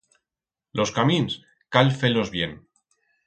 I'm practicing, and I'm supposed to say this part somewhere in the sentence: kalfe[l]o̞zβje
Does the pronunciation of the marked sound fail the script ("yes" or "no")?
no